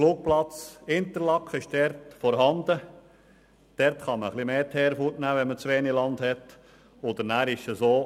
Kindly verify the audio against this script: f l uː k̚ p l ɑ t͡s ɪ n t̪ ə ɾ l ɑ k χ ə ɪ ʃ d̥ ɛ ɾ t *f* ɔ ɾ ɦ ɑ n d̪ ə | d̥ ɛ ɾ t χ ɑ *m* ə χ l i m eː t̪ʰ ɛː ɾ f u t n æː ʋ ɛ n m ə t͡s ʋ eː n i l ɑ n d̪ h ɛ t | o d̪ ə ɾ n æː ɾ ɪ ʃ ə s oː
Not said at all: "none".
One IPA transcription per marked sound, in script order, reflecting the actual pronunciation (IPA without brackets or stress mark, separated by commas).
f, m